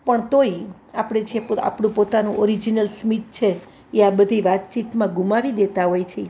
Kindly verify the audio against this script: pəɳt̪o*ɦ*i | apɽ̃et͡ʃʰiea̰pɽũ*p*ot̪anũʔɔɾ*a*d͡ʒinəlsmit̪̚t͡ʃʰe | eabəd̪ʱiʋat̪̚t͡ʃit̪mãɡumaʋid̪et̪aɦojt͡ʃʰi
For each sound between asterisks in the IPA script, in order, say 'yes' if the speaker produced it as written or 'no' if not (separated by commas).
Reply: no, yes, no